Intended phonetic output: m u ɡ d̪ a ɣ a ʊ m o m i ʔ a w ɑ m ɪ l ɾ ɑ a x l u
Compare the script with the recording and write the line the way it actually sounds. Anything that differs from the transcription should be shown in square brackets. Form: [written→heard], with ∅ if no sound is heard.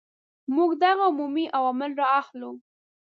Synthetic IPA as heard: m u ɡ d̪ a ɣ a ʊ m [o→u] m i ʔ a w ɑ m ɪ l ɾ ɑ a x l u